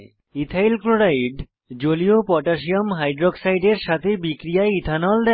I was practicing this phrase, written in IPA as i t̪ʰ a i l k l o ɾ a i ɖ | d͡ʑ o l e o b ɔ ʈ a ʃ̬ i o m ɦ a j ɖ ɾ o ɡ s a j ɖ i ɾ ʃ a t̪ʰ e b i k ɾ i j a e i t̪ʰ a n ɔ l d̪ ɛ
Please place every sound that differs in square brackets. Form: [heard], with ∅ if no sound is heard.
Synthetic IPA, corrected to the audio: i t̪ʰ a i l k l o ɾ a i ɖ | d͡ʑ o l [i] o [p] ɔ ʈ a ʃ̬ i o m ɦ a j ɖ ɾ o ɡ s a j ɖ [e] ɾ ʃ a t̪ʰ e b i k ɾ i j a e i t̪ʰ a n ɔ l d̪ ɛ